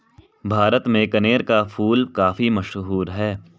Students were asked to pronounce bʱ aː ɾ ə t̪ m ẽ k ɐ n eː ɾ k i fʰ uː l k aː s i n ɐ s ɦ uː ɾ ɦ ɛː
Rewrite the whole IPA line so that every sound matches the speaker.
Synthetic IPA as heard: bʱ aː ɾ ə t̪ m ẽ k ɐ n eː ɾ k a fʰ uː l k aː f i m ɐ ʃ ɦ uː ɾ ɦ ɛː